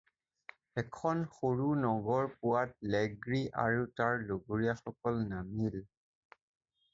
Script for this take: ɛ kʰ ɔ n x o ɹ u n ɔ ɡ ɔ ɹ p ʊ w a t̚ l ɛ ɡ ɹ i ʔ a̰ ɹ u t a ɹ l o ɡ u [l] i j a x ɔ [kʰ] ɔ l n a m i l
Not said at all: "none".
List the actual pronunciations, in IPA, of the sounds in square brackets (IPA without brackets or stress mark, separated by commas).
ɹ, k